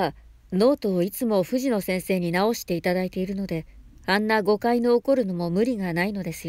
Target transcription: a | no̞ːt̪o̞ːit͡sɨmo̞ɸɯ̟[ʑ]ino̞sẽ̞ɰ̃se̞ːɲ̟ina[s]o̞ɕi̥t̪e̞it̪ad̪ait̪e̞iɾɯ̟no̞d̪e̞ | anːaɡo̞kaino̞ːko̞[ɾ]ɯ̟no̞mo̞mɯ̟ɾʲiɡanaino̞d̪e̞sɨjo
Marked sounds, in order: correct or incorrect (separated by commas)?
correct, incorrect, correct